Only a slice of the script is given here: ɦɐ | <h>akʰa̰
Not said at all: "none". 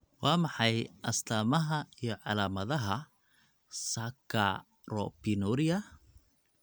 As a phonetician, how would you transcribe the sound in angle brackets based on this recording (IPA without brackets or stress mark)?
s